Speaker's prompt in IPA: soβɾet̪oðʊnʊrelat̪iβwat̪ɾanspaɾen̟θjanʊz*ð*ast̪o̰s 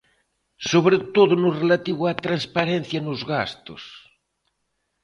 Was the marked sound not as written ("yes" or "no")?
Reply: yes